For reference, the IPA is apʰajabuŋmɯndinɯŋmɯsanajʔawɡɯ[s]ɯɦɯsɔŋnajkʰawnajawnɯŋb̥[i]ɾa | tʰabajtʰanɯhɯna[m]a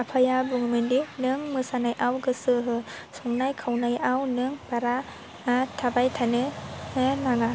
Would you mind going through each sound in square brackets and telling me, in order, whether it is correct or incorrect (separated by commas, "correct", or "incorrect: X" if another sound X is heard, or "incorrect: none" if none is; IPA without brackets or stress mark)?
correct, incorrect: a, incorrect: ŋ